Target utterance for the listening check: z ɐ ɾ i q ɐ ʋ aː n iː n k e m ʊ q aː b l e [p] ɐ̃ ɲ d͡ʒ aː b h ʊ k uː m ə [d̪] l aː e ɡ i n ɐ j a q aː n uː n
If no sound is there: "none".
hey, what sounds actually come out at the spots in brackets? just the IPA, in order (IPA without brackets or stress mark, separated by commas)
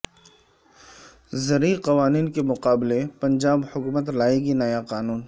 p, t̪